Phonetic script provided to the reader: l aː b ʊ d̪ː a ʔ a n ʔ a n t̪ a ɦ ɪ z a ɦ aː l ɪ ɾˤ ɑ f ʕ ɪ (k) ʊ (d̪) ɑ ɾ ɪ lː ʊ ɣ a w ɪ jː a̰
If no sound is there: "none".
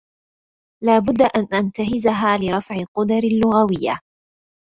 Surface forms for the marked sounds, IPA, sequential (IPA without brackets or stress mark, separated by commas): q, d̪